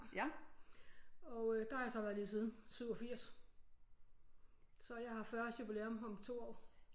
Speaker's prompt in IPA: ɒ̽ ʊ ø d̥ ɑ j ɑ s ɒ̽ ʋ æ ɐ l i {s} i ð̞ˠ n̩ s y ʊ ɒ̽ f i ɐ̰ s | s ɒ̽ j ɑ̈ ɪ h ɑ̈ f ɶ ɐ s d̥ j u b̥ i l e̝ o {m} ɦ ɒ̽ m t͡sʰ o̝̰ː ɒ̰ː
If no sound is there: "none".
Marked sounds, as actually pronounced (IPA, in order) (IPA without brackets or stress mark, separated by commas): s, m